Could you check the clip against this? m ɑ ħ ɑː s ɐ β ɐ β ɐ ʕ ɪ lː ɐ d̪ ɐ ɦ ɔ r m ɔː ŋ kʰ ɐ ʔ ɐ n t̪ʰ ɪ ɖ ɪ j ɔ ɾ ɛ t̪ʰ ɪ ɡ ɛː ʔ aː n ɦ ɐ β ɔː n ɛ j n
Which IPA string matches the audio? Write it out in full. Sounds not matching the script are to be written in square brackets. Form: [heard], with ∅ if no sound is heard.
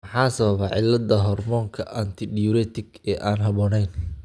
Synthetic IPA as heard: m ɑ ħ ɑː s ɐ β ɐ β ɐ ʕ ɪ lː ɐ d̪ ɐ ɦ ɔ r m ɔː ŋ kʰ ɐ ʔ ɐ n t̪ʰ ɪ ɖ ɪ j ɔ ɾ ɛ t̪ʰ ɪ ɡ ɛː ʔ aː n ɦ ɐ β ɔː n ɛ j n